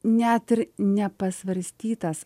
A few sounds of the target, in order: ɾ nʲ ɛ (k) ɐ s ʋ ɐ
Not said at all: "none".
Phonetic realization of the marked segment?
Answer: p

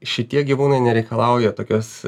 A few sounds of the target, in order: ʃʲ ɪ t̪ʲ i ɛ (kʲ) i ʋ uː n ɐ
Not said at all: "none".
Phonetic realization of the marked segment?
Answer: ɡʲ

